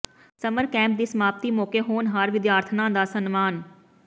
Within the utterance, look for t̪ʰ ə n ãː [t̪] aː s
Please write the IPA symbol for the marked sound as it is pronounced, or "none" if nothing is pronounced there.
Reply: d̪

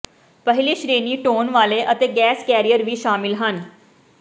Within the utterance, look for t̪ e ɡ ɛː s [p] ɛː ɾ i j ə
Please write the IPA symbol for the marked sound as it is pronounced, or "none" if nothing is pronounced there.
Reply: k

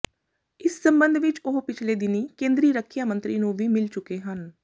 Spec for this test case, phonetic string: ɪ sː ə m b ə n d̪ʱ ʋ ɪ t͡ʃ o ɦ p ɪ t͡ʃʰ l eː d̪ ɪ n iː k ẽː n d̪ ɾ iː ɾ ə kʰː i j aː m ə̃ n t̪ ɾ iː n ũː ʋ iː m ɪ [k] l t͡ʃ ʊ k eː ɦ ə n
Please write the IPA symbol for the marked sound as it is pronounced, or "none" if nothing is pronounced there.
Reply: none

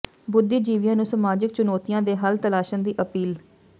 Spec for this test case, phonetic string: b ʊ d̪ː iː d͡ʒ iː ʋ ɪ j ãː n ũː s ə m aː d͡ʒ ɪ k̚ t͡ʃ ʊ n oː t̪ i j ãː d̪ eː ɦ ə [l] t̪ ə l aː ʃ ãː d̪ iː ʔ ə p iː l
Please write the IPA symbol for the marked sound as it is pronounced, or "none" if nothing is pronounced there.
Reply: l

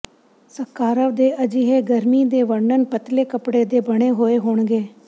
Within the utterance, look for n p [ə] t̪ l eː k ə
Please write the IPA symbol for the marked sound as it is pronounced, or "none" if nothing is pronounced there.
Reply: ə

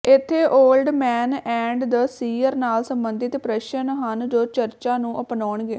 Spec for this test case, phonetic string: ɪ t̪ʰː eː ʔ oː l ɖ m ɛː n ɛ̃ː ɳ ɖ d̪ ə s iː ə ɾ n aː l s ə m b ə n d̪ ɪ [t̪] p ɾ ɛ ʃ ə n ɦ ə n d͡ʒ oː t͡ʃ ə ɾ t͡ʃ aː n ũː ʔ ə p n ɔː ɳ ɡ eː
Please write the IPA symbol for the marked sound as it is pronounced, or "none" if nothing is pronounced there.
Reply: t̪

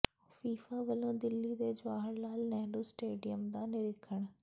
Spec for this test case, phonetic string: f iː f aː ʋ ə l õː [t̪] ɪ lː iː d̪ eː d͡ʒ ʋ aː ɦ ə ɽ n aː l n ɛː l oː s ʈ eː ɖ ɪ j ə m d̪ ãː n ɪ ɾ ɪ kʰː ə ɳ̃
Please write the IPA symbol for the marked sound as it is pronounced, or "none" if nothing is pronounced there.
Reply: d̪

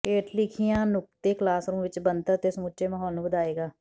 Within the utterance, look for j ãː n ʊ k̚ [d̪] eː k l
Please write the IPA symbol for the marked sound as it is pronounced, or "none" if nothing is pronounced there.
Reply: t̪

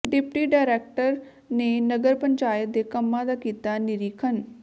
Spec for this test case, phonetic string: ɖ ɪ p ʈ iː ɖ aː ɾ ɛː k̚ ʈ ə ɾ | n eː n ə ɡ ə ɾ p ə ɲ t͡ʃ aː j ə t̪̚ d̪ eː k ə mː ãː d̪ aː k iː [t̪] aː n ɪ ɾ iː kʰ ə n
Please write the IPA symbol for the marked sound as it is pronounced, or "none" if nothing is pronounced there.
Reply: t̪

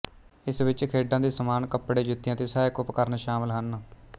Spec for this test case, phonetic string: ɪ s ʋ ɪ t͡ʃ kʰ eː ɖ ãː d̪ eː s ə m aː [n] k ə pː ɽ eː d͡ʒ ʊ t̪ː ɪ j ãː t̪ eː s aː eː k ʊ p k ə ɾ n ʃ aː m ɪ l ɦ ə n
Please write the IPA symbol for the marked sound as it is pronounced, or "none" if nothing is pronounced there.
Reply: n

